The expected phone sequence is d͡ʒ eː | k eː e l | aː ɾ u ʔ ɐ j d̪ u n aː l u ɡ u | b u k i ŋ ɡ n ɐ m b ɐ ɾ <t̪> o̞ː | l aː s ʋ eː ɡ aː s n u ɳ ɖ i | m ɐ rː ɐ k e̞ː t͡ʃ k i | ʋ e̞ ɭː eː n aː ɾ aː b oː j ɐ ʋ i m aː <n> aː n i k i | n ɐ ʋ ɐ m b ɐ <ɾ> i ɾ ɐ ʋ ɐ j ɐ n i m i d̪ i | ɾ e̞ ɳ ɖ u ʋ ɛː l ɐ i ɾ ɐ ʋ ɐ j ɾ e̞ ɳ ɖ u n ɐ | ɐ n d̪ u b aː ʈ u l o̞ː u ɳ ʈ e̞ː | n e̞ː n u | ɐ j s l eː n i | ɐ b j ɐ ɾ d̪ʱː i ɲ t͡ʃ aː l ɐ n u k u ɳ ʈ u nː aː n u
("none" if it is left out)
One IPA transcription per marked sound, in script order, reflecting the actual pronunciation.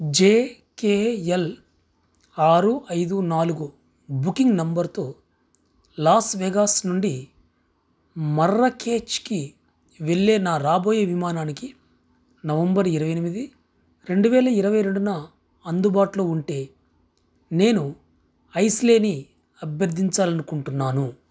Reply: t̪, n, ɾ

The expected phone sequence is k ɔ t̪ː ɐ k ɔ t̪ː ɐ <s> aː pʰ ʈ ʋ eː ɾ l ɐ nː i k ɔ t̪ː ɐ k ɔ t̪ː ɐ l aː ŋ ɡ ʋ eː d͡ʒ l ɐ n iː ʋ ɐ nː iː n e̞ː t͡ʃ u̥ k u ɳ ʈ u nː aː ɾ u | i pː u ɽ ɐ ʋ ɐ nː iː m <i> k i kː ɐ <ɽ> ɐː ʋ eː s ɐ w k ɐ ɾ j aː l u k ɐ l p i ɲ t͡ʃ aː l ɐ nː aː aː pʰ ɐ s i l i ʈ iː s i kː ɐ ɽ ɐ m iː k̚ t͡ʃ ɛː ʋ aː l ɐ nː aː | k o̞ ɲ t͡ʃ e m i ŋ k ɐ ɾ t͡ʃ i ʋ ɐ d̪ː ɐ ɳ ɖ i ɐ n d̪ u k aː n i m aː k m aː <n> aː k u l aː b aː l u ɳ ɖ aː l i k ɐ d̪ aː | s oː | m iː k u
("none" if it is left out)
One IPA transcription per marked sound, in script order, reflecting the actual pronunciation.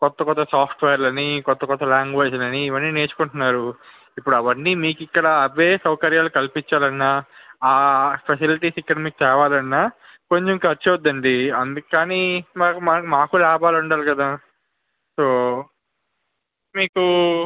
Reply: s, iː, ɽ, m

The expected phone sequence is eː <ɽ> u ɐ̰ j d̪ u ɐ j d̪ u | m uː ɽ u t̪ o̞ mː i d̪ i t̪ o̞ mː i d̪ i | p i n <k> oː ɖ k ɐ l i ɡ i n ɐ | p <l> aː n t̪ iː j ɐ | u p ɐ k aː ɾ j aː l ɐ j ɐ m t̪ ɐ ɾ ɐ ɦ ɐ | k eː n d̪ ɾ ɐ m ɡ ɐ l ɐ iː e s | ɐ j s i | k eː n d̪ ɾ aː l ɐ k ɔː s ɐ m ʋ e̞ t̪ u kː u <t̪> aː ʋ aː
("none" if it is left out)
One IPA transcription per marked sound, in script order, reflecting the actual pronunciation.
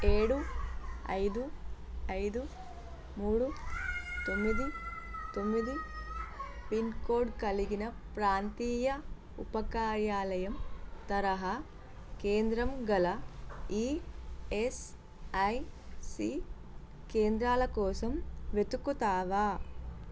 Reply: ɽ, k, ɾ, t̪

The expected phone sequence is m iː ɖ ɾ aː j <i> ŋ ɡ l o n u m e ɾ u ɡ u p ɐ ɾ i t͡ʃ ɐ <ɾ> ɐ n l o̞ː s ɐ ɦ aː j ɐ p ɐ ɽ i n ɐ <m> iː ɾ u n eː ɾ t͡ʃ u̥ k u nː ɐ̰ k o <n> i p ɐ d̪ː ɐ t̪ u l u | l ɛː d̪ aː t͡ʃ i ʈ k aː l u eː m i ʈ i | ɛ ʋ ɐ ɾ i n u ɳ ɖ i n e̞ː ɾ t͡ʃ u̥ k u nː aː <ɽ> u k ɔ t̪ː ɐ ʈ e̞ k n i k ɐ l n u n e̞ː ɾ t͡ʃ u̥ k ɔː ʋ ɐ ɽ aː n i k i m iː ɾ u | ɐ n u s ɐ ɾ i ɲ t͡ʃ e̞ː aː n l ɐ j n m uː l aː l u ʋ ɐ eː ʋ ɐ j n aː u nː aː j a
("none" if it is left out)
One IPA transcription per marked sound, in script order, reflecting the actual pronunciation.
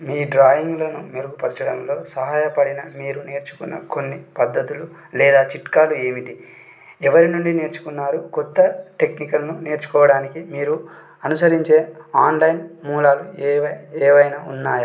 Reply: i, ɽ, m, nː, ɾ

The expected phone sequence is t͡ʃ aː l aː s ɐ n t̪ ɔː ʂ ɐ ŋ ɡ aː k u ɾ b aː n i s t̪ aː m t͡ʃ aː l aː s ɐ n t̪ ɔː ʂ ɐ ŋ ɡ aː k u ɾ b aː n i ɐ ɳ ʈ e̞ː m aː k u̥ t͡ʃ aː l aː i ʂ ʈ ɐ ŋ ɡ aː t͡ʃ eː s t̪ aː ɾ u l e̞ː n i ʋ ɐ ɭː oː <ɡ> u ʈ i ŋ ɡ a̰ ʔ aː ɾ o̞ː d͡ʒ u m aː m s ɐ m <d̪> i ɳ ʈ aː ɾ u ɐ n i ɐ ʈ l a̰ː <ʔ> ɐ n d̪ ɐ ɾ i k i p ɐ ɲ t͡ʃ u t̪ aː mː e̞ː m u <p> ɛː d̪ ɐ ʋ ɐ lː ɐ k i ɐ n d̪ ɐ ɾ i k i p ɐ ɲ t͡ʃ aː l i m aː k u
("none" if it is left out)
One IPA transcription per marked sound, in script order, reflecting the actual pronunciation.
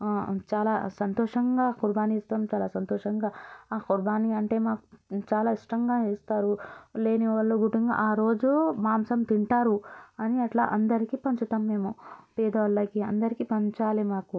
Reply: ɡ, t̪, ʔ, p

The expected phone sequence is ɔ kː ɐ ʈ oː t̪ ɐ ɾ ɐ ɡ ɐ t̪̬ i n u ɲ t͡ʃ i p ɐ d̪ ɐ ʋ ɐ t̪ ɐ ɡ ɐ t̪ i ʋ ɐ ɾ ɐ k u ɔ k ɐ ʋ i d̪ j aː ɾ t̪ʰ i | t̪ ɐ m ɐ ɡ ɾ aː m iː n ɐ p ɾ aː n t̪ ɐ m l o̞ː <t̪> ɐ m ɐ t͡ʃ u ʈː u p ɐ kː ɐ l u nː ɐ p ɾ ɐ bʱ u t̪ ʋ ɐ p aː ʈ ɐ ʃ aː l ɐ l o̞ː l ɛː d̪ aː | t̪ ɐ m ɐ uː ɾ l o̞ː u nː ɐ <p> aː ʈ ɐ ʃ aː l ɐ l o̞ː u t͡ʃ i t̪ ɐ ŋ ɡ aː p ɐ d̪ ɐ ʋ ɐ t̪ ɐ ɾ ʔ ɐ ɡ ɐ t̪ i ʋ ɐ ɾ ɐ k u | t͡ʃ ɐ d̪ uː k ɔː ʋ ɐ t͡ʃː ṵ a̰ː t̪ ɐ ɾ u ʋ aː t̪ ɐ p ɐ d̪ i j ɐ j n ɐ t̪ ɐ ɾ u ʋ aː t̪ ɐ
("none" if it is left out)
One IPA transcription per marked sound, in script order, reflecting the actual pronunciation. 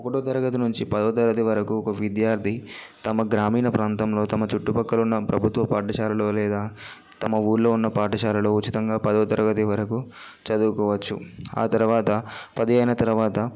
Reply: t̪, p

